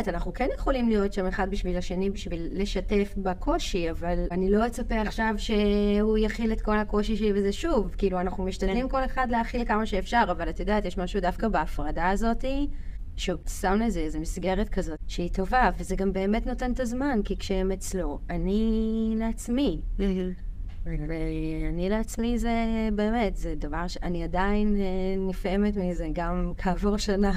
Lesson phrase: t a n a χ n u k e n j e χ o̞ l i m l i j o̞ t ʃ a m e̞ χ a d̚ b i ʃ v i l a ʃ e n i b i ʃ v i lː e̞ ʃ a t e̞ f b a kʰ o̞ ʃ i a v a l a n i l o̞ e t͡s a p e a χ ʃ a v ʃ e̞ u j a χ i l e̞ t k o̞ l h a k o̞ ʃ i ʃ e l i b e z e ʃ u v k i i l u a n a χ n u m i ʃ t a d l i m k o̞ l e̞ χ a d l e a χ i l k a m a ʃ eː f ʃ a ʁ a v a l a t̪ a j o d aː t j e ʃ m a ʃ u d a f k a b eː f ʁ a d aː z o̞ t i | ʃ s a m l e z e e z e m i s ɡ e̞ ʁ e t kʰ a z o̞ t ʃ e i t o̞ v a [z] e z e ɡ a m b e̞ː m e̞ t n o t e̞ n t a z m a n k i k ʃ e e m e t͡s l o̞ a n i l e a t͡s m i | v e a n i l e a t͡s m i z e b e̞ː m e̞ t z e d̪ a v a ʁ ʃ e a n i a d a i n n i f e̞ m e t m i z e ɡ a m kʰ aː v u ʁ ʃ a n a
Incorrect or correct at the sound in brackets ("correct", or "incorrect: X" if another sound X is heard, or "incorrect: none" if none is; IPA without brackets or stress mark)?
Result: incorrect: v